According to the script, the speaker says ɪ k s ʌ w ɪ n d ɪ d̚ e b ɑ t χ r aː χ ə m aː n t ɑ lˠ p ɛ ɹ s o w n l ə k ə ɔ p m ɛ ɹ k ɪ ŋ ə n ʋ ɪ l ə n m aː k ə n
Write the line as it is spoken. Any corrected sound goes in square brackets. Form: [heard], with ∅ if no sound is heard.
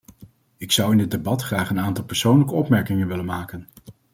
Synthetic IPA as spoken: ɪ k s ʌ w ɪ n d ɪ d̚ e b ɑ t χ r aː χ ə [n] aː n t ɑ lˠ p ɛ ɹ s o w n l ə k ə ɔ p m ɛ ɹ k ɪ ŋ ə n ʋ ɪ l ə n m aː k ə n